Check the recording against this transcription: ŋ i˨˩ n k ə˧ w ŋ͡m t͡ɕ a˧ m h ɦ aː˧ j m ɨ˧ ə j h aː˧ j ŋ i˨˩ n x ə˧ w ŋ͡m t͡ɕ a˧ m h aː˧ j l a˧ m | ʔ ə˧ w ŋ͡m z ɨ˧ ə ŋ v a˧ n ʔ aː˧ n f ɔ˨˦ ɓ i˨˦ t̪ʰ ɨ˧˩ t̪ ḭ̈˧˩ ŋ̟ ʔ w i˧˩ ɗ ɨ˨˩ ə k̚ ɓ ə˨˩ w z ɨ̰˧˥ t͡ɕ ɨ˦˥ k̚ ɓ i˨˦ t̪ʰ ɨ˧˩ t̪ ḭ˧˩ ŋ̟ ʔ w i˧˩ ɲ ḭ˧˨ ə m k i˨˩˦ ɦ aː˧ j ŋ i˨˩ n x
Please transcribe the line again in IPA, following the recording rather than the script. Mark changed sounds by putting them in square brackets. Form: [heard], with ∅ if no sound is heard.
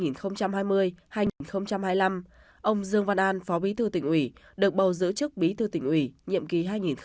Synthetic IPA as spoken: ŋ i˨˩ n [x] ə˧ w ŋ͡m t͡ɕ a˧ m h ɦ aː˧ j m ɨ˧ ə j h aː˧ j ŋ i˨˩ n x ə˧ w ŋ͡m t͡ɕ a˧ m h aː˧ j l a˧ m | ʔ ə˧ w ŋ͡m z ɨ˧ ə ŋ v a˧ n ʔ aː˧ n f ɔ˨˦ ɓ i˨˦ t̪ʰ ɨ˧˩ t̪ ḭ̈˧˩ ŋ̟ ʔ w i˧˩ ɗ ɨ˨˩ ə k̚ ɓ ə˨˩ w z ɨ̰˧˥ t͡ɕ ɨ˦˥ k̚ ɓ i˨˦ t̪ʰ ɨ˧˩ t̪ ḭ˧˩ ŋ̟ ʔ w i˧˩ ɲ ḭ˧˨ ə m k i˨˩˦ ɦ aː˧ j ŋ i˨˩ n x